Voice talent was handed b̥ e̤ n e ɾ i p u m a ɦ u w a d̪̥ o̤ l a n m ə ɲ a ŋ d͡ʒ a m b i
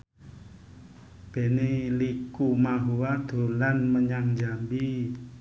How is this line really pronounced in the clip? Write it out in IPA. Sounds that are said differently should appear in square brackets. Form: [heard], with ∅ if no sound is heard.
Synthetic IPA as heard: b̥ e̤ n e [l] i [k] u m a ɦ u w a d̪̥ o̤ l a n m ə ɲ a ŋ d͡ʒ a m b i